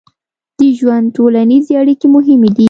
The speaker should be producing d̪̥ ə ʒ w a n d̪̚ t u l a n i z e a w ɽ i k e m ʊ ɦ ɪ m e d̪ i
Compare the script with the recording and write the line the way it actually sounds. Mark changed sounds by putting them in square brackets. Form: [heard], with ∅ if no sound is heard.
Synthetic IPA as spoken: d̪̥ ə ʒ w a n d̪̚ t [o] l a n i z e a [∅] ɽ i k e m ʊ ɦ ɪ m e d̪ i